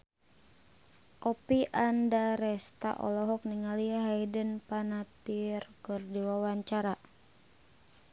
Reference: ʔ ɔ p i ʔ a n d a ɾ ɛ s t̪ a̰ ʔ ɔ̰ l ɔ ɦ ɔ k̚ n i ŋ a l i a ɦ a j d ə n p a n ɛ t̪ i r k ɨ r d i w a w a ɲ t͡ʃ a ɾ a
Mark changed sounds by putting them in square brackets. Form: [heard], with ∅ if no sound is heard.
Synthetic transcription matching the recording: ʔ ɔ p i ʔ a n d a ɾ ɛ s t̪ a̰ ʔ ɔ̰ l ɔ ɦ ɔ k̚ n i ŋ a l i a ɦ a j d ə n p a n [a] t̪ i r k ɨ r d i w a w a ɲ t͡ʃ a ɾ a